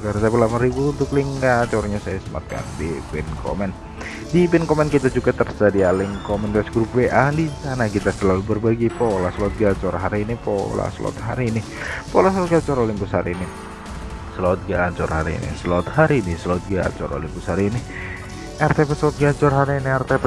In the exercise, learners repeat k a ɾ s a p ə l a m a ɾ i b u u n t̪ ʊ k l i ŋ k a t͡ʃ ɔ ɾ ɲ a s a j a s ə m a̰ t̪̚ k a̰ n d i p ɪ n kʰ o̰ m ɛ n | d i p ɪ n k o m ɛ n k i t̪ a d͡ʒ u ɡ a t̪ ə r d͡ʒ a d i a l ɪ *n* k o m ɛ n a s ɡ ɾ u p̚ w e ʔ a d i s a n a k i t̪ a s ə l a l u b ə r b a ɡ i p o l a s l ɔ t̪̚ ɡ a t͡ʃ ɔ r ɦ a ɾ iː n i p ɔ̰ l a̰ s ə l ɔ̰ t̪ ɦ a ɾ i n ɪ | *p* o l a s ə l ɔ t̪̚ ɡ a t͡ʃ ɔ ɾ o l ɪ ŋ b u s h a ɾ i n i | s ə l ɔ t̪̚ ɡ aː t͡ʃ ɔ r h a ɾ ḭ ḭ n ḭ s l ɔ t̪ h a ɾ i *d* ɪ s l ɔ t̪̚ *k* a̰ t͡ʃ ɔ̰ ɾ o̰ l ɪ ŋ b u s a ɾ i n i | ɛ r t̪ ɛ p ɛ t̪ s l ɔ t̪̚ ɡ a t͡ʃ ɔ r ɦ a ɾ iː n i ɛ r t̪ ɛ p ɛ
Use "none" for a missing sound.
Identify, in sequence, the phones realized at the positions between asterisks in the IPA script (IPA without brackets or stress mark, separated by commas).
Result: ŋ, p, n, ɡ